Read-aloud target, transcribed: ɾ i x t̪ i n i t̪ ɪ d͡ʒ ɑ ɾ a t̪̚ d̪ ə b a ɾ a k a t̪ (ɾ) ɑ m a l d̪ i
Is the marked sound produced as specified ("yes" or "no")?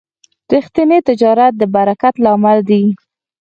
no